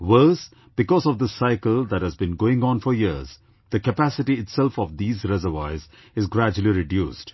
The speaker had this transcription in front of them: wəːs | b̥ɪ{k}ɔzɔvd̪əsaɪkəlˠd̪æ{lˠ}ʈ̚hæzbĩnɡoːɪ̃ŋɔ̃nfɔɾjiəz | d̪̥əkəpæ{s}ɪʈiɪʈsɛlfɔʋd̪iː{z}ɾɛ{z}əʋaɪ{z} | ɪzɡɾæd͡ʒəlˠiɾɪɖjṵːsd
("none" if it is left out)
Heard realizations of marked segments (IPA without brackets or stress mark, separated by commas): k, none, s, z, z, z